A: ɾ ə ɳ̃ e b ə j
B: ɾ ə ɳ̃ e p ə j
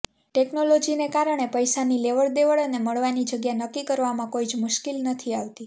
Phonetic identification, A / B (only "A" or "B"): B